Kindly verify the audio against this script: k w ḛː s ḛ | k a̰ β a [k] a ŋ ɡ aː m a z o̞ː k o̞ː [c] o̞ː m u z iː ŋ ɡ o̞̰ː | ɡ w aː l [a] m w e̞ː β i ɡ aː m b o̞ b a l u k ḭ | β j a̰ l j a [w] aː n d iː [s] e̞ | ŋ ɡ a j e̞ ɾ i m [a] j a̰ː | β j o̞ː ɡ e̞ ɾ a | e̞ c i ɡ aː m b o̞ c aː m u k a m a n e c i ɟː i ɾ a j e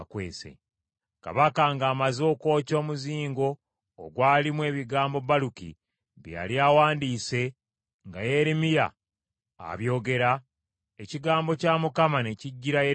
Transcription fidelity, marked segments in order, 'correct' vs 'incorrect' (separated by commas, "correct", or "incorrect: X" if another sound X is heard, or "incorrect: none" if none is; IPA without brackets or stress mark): correct, correct, incorrect: i, correct, correct, incorrect: i